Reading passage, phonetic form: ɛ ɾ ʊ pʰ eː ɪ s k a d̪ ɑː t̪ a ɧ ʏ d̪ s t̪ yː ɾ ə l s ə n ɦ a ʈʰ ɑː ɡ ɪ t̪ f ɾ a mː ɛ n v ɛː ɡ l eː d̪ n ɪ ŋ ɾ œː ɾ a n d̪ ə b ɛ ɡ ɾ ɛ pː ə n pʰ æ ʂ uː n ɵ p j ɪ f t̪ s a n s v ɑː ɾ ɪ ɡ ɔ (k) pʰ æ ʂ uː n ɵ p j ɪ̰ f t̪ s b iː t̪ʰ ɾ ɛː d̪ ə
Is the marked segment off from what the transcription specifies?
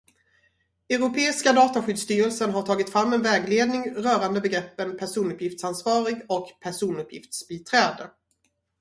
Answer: no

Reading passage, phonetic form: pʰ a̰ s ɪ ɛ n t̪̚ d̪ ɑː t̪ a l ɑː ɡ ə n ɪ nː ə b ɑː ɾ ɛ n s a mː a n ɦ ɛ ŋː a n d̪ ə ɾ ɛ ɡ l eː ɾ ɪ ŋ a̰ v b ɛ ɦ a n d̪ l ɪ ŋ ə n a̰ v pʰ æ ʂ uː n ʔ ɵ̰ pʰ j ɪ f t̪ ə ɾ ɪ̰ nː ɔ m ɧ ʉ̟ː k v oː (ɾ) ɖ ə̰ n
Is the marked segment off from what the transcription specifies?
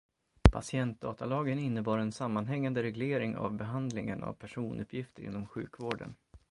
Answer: yes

